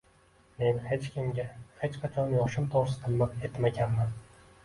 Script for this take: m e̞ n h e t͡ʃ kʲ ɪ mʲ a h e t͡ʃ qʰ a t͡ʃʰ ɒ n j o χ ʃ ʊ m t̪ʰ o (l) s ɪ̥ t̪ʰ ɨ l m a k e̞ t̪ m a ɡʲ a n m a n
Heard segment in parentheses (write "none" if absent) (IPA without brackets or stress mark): ɾ